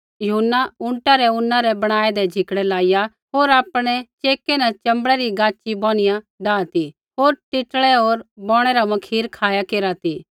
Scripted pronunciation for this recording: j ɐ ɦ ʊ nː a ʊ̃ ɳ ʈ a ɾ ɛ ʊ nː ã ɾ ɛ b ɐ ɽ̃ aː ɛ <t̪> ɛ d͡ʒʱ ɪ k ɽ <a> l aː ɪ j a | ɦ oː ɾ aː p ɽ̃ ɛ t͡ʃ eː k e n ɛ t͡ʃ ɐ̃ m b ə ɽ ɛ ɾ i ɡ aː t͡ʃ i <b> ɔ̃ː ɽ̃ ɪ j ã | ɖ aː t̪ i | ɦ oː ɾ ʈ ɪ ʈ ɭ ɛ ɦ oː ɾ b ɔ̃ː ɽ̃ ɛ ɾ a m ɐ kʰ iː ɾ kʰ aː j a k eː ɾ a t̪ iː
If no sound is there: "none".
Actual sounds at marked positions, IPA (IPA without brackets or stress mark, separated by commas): d̪, ɛ, b